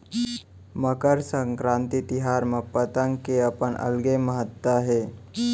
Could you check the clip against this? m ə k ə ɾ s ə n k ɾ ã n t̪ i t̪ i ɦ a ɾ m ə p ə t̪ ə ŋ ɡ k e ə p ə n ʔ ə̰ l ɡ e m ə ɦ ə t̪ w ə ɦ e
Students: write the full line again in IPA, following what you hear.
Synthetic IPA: m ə k ə ɾ s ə ŋ k ɾ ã n t̪ i t̪ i ɦ a ɾ m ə p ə t̪ ə ŋ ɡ k e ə p ə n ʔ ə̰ l ɡ e m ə ɦ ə t̪ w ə ɦ e